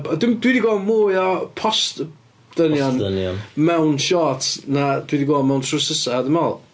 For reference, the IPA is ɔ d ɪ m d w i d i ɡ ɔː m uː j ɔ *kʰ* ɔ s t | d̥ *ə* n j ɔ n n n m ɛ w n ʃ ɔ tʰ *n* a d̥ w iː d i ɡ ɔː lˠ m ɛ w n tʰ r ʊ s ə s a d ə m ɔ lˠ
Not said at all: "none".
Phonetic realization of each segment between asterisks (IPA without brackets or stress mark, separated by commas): pʰ, ə, n